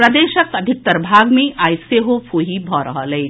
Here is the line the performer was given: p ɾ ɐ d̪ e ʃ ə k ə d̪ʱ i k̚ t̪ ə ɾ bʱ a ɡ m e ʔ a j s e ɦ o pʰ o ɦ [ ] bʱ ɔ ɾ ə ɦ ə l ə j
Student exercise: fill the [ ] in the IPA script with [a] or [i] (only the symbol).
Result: i